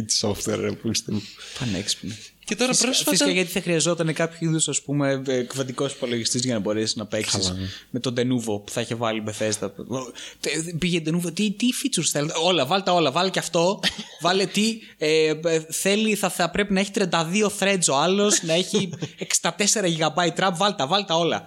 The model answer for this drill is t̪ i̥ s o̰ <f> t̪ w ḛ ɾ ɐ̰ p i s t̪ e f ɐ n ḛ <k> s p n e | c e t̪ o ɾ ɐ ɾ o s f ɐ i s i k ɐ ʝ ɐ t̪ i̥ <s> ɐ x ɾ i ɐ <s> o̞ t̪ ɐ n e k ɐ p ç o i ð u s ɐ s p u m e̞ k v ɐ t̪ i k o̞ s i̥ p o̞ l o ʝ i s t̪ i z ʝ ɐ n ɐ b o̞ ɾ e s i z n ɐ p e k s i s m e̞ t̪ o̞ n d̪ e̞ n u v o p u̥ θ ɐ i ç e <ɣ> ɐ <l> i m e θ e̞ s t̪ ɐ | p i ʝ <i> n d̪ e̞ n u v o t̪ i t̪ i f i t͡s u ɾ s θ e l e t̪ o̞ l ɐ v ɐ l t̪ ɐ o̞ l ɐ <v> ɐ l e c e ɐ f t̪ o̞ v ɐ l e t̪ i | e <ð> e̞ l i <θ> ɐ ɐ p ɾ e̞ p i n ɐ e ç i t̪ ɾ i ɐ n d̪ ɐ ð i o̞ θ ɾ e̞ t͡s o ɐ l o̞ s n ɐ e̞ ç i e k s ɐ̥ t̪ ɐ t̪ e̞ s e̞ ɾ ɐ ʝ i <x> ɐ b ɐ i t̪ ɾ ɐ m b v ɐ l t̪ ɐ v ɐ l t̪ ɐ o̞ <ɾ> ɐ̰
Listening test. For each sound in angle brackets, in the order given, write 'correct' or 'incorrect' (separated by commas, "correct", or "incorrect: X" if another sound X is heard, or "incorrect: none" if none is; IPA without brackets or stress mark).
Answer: correct, correct, incorrect: θ, incorrect: z, incorrect: v, correct, incorrect: e, correct, incorrect: θ, correct, incorrect: ɣ, incorrect: l